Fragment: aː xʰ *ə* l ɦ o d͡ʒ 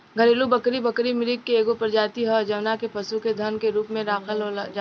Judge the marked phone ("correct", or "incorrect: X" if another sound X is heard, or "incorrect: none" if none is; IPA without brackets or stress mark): correct